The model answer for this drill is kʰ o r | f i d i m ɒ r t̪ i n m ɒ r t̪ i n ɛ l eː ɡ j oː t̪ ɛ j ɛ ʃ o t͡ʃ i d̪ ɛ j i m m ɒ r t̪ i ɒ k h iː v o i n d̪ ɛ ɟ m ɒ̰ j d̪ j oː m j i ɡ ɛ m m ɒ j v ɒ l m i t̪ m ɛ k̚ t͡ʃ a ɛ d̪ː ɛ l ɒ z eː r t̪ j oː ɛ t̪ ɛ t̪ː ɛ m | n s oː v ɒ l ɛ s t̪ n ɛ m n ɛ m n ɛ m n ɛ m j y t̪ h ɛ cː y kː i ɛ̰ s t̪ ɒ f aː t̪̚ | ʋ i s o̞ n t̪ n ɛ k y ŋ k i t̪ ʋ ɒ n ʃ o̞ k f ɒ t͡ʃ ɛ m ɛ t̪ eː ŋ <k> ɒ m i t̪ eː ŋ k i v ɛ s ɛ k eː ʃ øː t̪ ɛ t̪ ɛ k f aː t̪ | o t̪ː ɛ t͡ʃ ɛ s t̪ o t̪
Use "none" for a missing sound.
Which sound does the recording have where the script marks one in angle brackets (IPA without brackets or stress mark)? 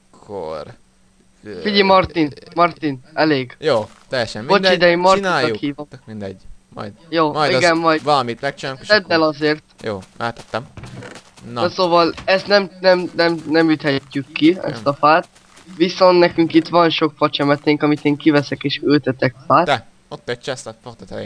k